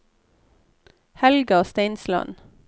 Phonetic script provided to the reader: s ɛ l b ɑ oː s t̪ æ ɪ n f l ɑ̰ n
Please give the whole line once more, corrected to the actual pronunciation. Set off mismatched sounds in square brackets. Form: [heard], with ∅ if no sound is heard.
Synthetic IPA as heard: [h] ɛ l [ɡ] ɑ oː s t̪ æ ɪ n [s] l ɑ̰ n